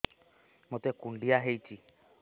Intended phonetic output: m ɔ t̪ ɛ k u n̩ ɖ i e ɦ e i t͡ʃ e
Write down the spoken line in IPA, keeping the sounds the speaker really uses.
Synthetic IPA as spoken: m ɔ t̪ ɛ k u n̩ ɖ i a ɦ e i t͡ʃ i